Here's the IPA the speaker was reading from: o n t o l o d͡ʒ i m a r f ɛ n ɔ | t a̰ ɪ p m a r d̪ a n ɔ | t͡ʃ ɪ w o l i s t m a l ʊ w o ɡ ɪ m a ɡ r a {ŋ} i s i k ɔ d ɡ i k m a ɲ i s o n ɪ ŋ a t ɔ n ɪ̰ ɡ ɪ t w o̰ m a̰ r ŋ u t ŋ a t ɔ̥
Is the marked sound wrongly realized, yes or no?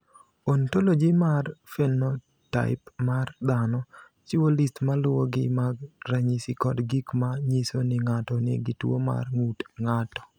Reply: yes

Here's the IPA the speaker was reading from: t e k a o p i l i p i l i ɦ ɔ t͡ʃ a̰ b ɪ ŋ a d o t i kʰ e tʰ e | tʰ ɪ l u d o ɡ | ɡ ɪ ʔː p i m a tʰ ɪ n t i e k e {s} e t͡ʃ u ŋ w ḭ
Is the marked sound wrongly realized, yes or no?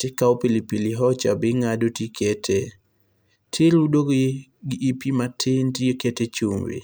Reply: yes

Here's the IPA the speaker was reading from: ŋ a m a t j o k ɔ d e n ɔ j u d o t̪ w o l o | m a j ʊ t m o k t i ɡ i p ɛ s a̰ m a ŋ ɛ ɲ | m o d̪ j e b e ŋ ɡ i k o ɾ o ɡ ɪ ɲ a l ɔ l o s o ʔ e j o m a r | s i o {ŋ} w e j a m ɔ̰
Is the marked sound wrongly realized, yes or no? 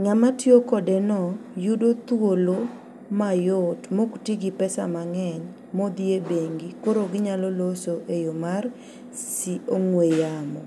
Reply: no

